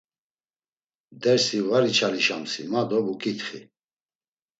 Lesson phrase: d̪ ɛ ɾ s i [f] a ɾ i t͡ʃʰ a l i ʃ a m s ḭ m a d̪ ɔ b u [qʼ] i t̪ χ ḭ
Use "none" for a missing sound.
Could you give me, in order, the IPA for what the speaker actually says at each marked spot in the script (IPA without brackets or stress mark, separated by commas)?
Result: v, kʼ